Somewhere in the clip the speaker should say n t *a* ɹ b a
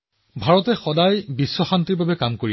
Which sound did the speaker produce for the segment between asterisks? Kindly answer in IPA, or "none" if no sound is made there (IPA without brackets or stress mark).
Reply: i